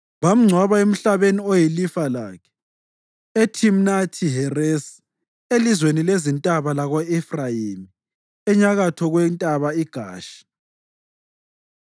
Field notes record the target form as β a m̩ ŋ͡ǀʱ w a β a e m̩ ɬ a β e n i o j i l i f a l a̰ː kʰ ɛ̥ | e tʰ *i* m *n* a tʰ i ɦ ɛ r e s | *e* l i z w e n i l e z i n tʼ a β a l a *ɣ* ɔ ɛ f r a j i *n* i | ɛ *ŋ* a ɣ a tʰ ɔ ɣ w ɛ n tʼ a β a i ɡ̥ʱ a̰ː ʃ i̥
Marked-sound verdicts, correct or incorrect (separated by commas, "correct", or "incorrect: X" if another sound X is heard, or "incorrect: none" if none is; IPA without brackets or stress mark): correct, correct, correct, correct, incorrect: m, incorrect: ɲ